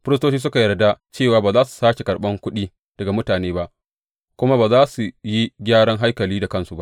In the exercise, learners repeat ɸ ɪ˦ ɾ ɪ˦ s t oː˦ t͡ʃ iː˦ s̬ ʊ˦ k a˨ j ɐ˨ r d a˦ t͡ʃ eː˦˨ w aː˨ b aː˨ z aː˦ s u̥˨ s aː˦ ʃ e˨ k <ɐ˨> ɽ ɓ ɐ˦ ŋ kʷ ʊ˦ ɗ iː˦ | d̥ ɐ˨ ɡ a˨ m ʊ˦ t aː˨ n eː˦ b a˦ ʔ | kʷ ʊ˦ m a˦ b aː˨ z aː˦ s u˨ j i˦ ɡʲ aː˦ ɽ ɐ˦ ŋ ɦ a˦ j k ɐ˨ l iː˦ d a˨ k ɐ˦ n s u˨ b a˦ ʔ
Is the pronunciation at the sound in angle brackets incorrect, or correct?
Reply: correct